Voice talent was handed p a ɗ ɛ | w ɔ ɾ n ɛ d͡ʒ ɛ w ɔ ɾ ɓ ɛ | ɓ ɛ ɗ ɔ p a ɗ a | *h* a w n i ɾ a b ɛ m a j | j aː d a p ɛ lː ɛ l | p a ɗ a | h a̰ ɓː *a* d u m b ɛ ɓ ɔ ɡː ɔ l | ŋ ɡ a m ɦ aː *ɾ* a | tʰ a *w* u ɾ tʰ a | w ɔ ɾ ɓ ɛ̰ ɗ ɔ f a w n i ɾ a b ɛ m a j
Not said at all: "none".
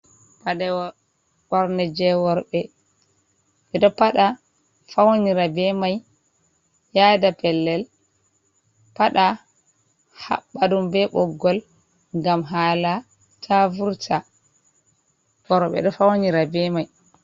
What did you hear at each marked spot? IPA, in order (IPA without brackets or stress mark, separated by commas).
f, a, l, v